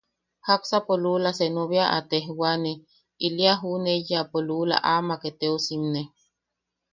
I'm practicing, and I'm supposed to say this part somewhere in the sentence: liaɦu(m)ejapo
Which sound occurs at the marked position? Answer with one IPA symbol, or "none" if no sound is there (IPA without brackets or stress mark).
n